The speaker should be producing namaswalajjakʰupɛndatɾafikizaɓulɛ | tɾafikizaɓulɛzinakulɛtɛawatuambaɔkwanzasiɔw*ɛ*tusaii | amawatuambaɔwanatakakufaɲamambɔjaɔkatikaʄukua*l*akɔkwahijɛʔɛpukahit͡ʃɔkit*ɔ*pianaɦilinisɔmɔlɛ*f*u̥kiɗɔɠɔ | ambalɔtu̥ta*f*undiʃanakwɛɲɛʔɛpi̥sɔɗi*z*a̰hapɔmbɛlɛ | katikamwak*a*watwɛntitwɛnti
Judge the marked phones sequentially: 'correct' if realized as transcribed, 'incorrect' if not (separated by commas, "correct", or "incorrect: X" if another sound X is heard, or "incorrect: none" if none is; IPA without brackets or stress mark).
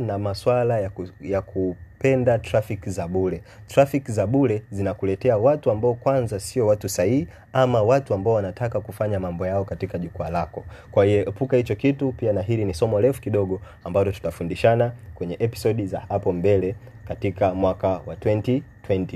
incorrect: a, correct, incorrect: u, correct, correct, correct, correct